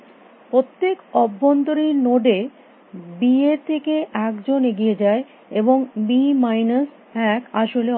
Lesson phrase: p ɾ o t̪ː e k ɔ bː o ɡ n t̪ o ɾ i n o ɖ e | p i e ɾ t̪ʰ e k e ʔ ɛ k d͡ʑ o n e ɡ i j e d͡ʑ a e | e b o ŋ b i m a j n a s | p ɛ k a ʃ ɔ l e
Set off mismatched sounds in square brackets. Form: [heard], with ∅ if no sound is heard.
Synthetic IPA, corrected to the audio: p ɾ o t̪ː e k ɔ bː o [∅] n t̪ o ɾ i n o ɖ e | [b] i e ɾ t̪ʰ e k e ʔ ɛ k d͡ʑ o n e ɡ i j e d͡ʑ a e | e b o ŋ b i m a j n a s | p ɛ k a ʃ [o] l e